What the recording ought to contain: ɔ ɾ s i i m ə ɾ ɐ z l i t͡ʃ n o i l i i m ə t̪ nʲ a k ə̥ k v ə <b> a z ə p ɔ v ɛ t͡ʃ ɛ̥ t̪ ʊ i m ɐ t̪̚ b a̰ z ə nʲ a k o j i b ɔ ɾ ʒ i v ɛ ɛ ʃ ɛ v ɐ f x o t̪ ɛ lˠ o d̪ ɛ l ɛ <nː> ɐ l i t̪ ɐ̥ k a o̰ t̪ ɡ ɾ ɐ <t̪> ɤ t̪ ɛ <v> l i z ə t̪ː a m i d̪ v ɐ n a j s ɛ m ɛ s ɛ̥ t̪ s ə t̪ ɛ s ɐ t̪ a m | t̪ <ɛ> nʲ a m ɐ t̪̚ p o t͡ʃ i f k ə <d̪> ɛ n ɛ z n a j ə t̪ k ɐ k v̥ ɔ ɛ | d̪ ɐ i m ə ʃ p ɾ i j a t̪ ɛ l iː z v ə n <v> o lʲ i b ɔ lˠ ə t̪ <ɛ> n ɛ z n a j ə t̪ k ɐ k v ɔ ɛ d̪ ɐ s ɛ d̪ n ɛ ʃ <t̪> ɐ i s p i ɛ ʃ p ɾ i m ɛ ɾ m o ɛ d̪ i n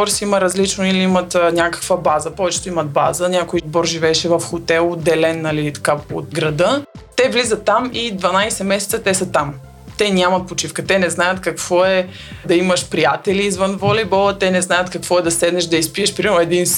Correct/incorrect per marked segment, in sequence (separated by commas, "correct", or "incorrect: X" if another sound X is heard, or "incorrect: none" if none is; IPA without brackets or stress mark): correct, correct, incorrect: d̪, correct, correct, incorrect: t̪, correct, correct, incorrect: d̪